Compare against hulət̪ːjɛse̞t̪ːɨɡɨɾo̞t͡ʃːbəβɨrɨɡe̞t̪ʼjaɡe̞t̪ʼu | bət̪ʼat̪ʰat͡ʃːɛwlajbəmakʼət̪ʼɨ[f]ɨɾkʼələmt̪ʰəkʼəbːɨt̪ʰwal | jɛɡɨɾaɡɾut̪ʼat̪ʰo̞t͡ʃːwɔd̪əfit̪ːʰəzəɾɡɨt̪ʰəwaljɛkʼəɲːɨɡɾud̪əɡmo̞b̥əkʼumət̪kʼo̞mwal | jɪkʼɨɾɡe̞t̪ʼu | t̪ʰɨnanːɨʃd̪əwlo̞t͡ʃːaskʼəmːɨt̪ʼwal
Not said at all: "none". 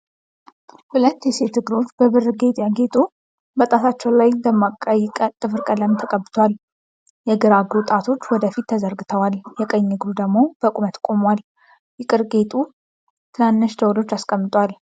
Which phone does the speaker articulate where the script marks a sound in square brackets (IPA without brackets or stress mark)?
f